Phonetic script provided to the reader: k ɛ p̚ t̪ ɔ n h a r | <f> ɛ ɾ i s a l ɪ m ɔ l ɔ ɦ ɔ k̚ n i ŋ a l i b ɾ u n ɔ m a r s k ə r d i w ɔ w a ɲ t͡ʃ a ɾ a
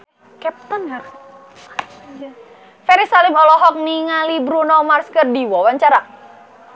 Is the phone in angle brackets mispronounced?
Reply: no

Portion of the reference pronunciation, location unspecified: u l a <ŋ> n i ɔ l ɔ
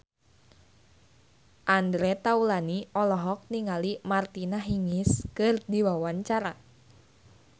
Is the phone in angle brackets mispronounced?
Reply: yes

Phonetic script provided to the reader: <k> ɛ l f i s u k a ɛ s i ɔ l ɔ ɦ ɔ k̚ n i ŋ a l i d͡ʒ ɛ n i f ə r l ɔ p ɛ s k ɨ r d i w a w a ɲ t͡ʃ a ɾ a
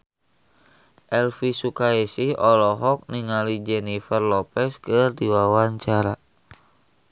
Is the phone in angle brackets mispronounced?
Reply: yes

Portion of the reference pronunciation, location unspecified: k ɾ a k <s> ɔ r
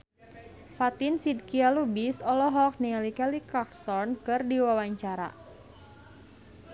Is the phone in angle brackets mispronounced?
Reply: no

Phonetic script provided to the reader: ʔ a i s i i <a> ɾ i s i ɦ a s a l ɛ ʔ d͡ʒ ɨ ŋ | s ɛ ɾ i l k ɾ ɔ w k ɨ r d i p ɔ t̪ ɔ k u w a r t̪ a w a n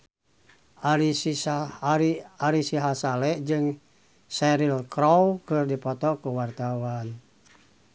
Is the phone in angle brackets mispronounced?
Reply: no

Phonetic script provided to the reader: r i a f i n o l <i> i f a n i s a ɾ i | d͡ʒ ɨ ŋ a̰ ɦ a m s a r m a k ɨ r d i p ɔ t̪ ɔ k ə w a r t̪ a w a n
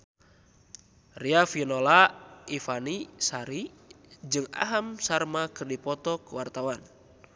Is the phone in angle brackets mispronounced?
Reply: yes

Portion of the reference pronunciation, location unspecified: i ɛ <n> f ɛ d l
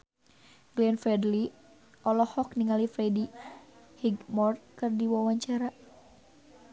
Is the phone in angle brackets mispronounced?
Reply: no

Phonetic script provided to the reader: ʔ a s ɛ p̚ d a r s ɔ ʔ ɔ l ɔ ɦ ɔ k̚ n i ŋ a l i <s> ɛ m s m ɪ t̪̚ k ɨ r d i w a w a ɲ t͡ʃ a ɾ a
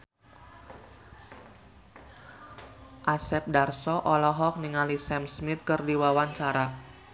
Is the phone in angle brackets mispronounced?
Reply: no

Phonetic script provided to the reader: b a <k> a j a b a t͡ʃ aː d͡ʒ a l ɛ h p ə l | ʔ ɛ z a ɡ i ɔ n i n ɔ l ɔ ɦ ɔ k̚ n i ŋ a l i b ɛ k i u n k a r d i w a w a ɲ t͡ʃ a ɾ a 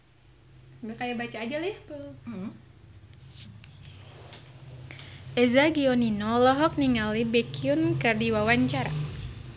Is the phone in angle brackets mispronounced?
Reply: no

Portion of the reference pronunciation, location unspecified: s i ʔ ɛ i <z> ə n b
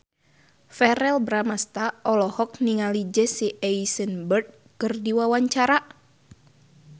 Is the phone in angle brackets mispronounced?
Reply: yes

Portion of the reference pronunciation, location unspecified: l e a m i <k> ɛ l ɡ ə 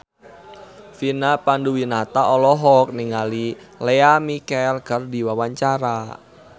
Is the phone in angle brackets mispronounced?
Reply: no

